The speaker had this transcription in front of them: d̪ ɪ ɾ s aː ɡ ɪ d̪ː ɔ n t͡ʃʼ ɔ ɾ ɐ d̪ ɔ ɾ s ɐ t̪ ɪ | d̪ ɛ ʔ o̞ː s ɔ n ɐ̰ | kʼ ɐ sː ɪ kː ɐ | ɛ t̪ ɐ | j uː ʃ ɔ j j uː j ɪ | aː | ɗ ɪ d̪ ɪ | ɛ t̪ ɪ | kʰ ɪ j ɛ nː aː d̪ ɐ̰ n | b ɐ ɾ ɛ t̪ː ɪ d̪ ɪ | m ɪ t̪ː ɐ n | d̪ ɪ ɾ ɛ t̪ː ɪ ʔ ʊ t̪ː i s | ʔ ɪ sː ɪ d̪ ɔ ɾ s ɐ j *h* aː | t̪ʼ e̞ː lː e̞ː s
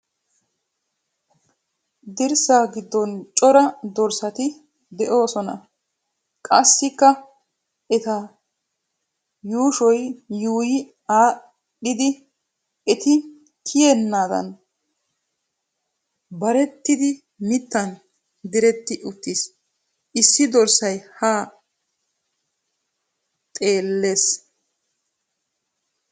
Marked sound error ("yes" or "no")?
no